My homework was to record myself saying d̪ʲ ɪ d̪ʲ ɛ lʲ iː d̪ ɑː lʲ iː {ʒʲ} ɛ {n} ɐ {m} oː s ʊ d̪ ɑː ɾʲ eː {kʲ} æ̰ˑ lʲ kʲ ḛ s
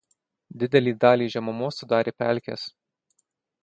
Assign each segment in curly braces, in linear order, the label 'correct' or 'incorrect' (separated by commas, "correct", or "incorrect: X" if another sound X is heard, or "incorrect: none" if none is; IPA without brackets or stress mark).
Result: correct, incorrect: m, correct, incorrect: pʲ